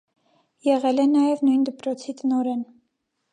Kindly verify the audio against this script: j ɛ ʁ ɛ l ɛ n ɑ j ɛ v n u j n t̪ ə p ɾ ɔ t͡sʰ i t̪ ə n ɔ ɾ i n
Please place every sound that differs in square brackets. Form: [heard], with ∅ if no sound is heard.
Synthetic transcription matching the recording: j ɛ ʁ ɛ l ɛ n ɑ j ɛ v n u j n [d̪] ə p ɾ ɔ t͡sʰ i t̪ ə n ɔ ɾ [ɛ] n